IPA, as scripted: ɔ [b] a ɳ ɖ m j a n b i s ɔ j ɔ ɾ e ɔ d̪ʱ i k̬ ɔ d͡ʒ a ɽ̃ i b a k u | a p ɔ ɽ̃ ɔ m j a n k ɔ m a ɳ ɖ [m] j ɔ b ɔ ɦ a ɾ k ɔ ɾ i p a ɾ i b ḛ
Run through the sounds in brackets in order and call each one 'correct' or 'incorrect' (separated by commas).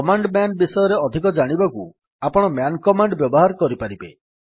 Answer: incorrect, incorrect